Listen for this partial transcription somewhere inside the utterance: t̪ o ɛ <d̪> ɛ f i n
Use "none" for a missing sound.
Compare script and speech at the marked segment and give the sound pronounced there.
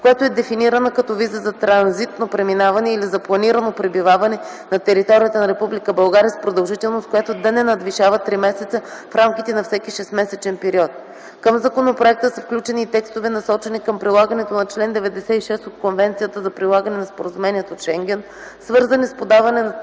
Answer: d̪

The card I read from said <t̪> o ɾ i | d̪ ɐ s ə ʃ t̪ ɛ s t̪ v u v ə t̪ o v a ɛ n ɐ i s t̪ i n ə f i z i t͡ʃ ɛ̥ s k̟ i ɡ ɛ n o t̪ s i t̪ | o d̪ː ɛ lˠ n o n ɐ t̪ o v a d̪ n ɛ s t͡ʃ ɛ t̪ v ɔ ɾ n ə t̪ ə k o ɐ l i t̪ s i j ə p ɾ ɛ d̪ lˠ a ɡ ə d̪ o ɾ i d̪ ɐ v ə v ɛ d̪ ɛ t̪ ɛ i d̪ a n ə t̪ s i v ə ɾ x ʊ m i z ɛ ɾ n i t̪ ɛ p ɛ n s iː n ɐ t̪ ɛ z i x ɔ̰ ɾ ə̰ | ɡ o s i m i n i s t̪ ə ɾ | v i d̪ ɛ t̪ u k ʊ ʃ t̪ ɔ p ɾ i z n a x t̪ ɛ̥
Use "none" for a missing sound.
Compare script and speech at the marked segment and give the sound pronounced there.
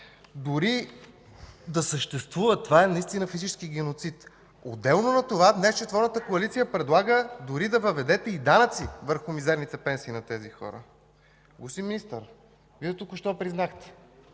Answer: d̪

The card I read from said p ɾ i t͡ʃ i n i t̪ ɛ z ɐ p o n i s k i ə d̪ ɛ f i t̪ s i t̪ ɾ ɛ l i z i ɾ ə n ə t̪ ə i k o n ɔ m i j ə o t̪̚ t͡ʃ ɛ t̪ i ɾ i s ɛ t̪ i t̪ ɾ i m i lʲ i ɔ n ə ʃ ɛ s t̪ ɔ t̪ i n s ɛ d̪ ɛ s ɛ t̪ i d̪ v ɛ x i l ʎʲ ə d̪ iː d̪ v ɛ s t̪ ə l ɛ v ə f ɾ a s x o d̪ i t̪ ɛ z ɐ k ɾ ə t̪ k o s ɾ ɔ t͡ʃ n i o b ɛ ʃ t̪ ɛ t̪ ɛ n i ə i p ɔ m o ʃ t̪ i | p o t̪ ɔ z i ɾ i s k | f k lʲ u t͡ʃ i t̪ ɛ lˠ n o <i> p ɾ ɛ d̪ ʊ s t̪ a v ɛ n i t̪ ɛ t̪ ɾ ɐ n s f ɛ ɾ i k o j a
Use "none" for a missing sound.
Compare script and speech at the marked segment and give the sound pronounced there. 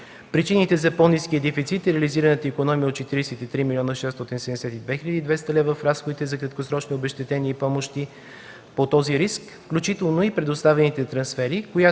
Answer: i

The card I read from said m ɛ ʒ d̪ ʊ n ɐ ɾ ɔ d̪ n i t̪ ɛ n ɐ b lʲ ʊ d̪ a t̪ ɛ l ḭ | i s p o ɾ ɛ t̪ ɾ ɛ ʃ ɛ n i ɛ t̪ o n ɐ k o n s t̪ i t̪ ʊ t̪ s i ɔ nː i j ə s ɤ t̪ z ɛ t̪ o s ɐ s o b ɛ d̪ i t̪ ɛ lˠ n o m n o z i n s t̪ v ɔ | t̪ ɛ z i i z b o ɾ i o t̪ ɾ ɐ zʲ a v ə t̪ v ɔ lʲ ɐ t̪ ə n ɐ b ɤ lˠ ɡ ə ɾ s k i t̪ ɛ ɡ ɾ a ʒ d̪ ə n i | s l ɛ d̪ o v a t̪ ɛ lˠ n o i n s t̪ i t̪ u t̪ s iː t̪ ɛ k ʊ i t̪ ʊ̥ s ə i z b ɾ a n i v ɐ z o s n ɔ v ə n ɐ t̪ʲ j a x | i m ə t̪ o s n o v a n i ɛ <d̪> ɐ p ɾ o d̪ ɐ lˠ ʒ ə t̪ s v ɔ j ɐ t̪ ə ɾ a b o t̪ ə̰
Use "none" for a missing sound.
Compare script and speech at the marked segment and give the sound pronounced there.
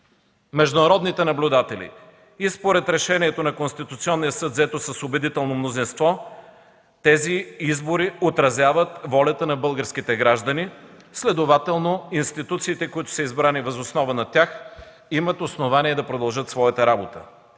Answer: d̪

